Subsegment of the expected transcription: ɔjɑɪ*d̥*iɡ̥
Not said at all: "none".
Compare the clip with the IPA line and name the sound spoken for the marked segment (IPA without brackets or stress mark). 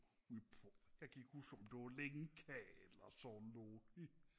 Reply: ɡ̥